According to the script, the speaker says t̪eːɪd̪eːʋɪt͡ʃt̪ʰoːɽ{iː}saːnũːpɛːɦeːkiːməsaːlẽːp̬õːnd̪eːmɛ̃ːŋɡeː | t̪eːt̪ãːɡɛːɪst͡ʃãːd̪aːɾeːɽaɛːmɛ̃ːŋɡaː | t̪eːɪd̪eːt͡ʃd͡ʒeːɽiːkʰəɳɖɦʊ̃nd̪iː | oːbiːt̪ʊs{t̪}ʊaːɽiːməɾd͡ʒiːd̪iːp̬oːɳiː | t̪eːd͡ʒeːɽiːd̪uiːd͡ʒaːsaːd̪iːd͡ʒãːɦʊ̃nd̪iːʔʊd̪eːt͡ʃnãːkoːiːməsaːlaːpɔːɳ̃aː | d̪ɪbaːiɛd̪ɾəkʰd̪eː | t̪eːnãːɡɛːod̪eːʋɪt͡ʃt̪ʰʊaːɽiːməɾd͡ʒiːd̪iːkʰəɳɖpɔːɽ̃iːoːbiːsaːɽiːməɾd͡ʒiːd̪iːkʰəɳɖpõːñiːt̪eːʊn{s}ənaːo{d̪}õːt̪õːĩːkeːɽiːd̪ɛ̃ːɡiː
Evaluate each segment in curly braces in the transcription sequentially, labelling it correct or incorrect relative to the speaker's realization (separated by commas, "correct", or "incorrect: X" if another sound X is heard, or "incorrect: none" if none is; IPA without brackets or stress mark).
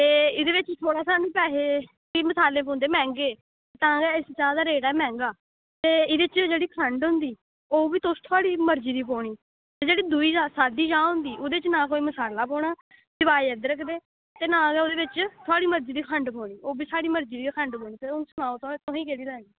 incorrect: aː, incorrect: t̪ʰ, correct, incorrect: t̪